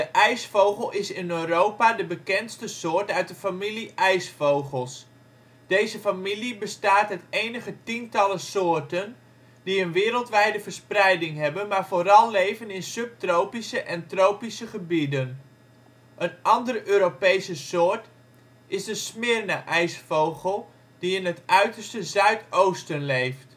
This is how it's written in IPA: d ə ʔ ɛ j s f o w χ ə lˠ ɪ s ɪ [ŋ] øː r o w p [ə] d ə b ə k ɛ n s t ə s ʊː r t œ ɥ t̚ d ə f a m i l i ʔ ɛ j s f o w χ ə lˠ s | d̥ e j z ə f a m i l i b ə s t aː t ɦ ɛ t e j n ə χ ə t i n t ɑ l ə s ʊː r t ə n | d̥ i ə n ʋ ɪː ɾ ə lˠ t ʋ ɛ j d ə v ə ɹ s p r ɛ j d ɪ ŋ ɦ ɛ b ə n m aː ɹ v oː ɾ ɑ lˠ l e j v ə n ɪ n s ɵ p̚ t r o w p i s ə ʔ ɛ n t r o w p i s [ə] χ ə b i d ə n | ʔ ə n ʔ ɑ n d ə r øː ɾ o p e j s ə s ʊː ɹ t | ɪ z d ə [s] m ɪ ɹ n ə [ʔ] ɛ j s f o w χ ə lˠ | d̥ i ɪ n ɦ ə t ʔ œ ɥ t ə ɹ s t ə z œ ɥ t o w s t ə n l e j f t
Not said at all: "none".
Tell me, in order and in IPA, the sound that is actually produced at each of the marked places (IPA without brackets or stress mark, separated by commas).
n, a, ə, s, ʔ